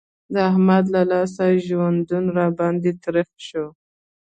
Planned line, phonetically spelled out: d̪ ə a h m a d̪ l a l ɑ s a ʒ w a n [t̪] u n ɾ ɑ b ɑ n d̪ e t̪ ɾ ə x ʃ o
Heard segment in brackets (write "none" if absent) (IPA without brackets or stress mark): d̪